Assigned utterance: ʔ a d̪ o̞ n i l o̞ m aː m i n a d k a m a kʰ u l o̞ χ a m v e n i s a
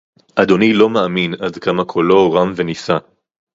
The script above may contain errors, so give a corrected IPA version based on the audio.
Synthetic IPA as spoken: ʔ a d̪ o̞ n i l o̞ m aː m i n a d k a m a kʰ o l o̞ ʁ a m v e n i s a